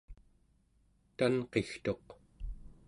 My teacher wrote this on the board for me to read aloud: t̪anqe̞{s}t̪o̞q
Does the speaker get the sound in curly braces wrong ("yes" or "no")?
yes